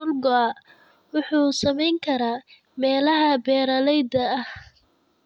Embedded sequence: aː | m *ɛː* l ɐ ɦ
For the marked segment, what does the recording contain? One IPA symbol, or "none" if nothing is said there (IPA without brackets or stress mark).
ɛː